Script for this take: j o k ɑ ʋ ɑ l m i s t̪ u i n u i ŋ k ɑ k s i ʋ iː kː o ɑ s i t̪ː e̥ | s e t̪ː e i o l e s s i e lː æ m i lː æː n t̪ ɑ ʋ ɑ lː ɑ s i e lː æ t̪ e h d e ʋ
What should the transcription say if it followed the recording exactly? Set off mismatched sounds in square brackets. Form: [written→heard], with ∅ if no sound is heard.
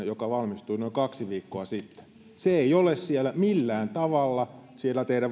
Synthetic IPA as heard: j o k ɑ ʋ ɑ l m i s t̪ u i n [u→o] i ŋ k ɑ k s i ʋ iː kː o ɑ s i t̪ː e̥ | s e [t̪ː→∅] e i o l e s s i e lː æ m i lː æː n t̪ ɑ ʋ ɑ lː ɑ s i e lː æ t̪ e h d [e→æ] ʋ